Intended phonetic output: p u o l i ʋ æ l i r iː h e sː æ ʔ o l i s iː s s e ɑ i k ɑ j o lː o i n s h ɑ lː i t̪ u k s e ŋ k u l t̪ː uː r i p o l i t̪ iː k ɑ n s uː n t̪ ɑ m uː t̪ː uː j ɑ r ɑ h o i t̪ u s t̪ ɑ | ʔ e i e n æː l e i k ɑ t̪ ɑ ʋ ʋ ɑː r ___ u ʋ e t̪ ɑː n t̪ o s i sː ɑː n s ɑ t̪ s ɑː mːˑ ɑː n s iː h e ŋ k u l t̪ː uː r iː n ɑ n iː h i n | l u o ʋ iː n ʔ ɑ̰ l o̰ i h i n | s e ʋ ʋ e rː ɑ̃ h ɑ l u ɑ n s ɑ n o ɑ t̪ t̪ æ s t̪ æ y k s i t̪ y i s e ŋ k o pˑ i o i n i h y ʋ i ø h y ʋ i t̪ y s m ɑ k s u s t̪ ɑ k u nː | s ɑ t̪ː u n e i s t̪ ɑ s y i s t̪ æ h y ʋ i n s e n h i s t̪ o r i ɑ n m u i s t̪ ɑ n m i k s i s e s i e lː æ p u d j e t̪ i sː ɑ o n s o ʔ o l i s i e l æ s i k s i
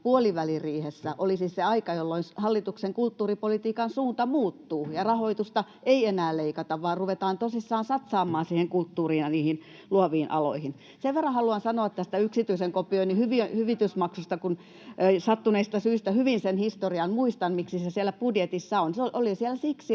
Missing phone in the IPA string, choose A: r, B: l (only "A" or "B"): A